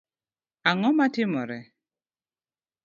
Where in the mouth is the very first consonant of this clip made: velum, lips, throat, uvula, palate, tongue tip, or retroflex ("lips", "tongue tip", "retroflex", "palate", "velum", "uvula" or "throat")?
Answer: velum